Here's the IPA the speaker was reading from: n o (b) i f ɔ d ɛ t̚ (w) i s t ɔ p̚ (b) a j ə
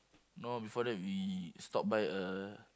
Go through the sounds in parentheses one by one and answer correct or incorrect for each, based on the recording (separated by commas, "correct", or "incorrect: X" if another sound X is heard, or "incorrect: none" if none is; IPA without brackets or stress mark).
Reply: correct, correct, correct